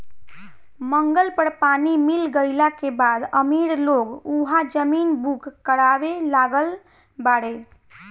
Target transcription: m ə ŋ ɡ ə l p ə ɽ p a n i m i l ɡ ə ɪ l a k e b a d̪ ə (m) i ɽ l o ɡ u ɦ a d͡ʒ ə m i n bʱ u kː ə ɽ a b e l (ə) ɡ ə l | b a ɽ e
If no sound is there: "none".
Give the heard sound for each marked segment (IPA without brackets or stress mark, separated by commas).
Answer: m, a